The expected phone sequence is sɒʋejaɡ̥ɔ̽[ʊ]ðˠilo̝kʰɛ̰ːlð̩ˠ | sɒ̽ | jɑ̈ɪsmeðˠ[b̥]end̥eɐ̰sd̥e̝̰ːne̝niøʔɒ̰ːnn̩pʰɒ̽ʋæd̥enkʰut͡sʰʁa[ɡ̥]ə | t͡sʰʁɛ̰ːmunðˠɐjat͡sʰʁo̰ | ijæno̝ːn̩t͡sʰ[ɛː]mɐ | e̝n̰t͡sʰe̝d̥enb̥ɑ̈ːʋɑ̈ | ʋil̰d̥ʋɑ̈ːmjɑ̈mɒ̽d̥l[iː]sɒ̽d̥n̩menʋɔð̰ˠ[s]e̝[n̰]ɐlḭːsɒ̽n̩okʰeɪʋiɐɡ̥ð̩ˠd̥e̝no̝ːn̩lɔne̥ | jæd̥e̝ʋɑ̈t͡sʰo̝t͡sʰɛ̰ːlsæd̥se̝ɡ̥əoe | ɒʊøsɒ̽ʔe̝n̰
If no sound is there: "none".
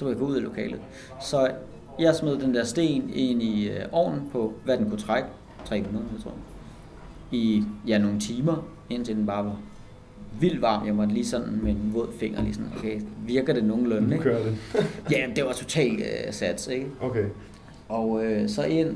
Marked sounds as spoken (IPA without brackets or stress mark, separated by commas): u, d̥, ɡ̥, iː, iː, f, ŋ̰